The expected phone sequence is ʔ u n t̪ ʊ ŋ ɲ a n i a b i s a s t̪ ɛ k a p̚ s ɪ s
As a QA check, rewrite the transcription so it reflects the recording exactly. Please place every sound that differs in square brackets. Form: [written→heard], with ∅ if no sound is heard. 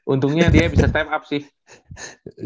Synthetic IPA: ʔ u n t̪ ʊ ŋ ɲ a [n→d] i a b i s a s t̪ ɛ [k→p] a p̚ s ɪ [s→h]